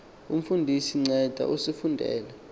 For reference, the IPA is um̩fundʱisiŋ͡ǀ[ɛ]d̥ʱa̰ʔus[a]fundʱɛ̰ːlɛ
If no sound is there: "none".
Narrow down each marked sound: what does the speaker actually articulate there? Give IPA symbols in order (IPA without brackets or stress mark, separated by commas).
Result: ɛ, i